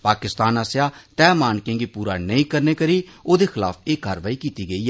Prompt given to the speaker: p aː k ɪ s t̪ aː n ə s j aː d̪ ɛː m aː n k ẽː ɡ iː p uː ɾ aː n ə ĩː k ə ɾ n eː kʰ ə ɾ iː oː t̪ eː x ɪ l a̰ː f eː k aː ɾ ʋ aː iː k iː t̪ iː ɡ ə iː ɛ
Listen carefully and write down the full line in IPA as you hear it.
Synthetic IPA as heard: p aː k ɪ s t̪ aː n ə s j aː t̪ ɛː m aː n k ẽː ɡ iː p uː ɾ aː n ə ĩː k ə ɾ n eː k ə ɾ iː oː d̪ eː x ɪ l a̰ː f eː k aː ɾ ʋ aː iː k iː t̪ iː ɡ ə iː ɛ